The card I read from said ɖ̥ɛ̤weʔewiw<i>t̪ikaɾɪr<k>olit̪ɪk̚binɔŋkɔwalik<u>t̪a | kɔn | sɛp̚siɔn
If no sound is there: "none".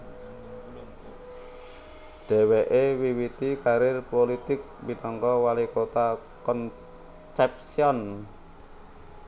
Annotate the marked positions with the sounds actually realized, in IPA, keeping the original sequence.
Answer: i, p, o

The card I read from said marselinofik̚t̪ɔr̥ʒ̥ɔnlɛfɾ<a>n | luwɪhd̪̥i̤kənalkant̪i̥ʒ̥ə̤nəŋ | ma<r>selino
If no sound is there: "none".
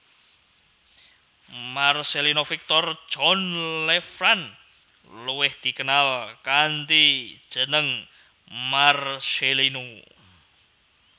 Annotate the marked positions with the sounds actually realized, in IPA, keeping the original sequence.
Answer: a, r

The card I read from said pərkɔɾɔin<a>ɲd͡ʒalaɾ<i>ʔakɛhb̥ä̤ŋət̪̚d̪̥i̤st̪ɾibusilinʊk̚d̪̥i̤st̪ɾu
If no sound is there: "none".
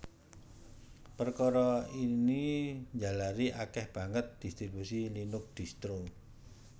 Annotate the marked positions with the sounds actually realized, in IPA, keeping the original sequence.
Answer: i, i

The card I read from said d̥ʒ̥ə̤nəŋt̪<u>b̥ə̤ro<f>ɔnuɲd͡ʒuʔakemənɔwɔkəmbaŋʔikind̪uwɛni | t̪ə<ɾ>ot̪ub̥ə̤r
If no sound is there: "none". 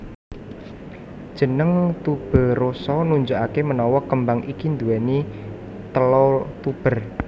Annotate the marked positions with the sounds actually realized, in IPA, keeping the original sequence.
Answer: u, s, l

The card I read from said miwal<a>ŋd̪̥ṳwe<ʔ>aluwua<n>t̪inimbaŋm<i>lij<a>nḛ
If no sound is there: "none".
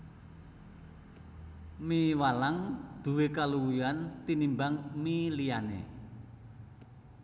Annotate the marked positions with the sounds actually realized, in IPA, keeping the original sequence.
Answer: a, k, n, i, a

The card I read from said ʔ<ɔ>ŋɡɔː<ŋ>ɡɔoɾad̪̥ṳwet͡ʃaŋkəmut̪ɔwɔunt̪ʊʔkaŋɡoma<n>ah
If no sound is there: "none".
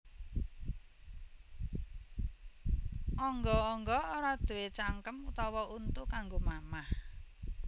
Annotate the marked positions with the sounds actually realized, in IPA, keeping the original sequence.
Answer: ɔ, ŋ, m

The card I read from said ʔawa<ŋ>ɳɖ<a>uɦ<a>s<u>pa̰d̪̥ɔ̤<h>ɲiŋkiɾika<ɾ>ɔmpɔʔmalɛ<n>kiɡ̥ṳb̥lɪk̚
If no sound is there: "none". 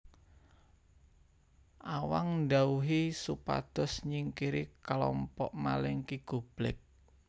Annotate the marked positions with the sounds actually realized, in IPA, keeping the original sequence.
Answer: ŋ, a, i, u, s, l, ŋ

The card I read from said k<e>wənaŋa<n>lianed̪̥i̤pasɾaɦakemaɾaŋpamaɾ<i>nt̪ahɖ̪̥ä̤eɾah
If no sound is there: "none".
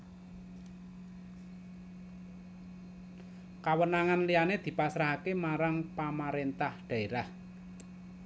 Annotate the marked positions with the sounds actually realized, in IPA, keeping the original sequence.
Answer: a, n, e

